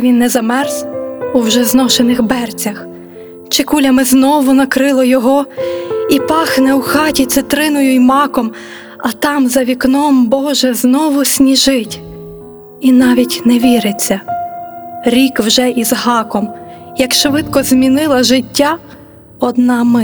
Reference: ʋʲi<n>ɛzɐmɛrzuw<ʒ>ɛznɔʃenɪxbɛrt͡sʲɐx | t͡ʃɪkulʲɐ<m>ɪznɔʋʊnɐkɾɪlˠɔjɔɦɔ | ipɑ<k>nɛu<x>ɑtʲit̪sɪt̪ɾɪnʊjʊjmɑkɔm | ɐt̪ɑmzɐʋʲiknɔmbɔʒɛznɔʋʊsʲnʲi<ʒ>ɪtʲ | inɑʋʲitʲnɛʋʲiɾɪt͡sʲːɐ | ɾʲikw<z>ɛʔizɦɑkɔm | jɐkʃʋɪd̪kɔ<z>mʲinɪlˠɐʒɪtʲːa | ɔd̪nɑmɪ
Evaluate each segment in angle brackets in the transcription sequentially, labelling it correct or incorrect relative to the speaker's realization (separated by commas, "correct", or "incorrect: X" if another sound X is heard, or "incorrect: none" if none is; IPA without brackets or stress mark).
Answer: incorrect: nː, correct, correct, incorrect: x, correct, correct, incorrect: ʒ, correct